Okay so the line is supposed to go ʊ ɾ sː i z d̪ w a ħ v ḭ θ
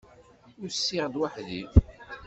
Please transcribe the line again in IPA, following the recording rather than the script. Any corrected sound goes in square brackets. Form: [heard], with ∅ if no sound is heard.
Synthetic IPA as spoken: ʊ ɾ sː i [ʁ] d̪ w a ħ [ð] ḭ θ